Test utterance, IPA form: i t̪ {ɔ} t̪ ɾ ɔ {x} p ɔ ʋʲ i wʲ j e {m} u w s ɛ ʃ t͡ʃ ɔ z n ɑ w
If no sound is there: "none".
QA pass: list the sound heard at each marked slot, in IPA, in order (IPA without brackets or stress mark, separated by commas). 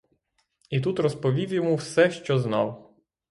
u, s, m